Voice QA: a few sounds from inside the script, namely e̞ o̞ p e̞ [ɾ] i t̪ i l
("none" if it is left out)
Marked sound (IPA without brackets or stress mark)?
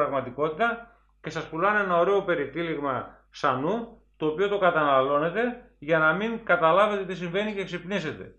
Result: ɾ